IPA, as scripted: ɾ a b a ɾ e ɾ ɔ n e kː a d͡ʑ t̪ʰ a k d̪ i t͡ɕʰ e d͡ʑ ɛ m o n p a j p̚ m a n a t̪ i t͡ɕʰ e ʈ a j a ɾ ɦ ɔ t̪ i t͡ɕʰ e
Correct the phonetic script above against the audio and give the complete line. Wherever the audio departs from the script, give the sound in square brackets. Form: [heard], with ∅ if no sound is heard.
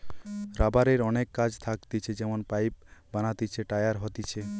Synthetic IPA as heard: ɾ a b a ɾ e ɾ ɔ n e kː a d͡ʑ t̪ʰ a k [t̪] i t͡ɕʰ e d͡ʑ ɛ m o n p a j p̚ [b] a n a t̪ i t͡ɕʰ e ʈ a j a ɾ ɦ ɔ t̪ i t͡ɕʰ e

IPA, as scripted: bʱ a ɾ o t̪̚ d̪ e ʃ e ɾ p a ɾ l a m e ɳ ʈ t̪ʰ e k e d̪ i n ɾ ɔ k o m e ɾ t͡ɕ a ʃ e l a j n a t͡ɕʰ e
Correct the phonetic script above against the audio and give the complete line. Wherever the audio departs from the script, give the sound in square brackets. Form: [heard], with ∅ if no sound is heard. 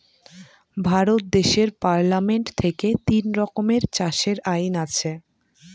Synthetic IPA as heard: bʱ a ɾ o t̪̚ d̪ e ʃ e ɾ p a ɾ l a m e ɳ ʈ t̪ʰ e k e [t̪] i n ɾ ɔ k o m e ɾ t͡ɕ a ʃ e [ɾ] a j n a t͡ɕʰ e

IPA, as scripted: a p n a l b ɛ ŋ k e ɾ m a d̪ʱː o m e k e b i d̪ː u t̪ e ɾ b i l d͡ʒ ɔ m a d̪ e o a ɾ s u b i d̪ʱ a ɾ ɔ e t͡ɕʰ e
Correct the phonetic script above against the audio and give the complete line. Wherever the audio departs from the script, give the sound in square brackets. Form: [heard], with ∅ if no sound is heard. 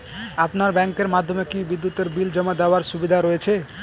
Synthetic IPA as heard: a p n a [ɾ] b ɛ ŋ k e ɾ m a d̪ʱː o m e k [i] b i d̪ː u t̪ e ɾ b i l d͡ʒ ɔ m a d̪ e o a ɾ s u b i d̪ʱ a ɾ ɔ e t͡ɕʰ e

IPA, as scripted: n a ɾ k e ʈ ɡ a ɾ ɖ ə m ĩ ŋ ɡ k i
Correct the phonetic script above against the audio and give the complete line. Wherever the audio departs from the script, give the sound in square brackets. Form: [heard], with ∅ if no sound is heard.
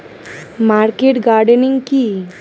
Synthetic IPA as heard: [m] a ɾ k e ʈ ɡ a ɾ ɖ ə [n] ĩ ŋ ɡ k i

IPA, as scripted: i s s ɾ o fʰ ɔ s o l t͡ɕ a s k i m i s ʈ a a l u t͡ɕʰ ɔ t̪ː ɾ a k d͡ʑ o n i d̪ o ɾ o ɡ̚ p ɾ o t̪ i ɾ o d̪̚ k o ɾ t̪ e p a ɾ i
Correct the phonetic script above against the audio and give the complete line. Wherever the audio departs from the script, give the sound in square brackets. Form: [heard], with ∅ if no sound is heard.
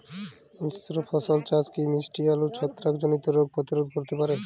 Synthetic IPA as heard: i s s ɾ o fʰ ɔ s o l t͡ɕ a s k i m i s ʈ [i] a l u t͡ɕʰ ɔ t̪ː ɾ a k d͡ʑ o n i [t̪] o ɾ o ɡ̚ p ɾ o t̪ i ɾ o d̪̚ k o ɾ t̪ e p a ɾ [e]

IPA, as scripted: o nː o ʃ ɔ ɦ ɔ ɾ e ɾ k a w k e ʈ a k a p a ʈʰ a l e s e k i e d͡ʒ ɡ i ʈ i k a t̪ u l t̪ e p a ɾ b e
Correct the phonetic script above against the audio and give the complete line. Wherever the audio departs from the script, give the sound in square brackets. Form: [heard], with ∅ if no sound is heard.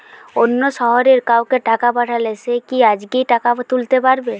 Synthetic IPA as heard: o nː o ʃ ɔ ɦ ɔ ɾ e ɾ k a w k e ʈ a k a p a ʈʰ a l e s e k i [a] d͡ʒ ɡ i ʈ [a] k a t̪ u l t̪ e p a ɾ b e

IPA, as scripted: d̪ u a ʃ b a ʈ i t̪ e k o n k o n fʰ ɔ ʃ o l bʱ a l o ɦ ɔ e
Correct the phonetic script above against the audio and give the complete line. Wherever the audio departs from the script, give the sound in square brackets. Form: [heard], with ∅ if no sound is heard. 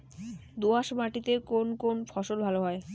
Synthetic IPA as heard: d̪ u a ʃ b a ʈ i t̪ e k o n k o n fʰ ɔ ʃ o l bʱ a l o ɦ ɔ e

